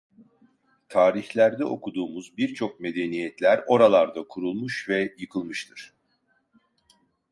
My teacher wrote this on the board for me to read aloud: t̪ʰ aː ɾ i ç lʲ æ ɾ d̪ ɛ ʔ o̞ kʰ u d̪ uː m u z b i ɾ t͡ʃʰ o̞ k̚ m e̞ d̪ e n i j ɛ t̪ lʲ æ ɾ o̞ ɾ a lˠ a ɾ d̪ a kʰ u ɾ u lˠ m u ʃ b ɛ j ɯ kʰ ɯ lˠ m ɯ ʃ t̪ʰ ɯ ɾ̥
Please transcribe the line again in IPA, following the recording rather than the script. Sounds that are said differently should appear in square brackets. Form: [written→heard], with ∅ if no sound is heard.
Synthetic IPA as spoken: t̪ʰ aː ɾ i ç lʲ æ ɾ d̪ ɛ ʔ o̞ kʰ u d̪ uː m u z b i ɾ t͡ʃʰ o̞ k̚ m e̞ d̪ e n i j ɛ t̪ lʲ æ ɾ o̞ ɾ a lˠ a ɾ d̪ a kʰ u ɾ u lˠ m u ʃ [b→v] ɛ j ɯ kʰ ɯ lˠ m ɯ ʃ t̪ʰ ɯ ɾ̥